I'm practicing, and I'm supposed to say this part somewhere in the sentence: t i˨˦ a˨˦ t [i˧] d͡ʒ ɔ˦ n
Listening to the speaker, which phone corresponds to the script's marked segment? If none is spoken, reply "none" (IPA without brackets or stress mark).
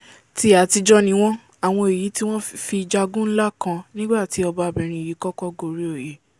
i˧